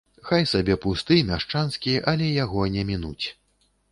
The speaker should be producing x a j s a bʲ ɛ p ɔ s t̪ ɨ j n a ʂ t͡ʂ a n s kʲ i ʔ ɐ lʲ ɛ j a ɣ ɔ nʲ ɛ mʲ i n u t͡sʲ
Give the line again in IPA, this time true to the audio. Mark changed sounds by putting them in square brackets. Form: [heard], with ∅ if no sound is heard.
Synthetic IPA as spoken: x a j s a bʲ ɛ p [u] s t̪ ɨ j n a ʂ t͡ʂ a n s kʲ i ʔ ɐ lʲ ɛ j a ɣ ɔ nʲ ɛ mʲ i n u t͡sʲ